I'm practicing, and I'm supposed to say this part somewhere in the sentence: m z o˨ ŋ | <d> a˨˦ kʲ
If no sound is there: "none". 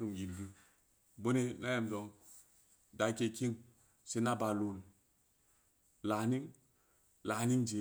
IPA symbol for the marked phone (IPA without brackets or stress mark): d